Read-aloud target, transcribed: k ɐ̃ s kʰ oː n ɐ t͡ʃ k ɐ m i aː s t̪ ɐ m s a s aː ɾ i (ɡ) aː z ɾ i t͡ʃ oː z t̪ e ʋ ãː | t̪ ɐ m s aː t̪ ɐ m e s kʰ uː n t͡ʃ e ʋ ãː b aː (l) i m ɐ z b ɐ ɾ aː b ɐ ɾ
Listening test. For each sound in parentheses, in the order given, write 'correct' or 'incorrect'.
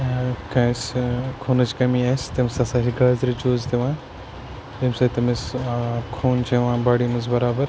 correct, incorrect: ɽ

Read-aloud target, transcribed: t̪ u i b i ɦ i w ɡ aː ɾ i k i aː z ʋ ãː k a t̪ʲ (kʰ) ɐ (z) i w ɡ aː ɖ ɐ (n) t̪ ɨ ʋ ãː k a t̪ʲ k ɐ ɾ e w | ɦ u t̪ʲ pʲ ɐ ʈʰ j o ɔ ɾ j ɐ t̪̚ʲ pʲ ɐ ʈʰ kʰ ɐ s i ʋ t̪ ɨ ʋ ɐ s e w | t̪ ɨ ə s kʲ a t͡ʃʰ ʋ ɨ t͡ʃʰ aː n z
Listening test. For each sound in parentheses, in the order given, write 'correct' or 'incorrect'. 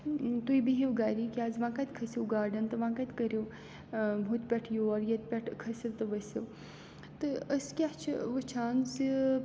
correct, incorrect: s, correct

